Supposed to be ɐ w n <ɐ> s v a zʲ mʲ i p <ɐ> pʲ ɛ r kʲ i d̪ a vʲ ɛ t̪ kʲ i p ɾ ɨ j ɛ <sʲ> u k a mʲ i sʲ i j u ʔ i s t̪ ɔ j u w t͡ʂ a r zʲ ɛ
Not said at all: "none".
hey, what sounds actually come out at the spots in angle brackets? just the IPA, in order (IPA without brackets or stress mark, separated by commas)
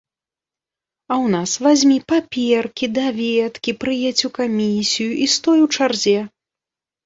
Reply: a, a, t͡sʲ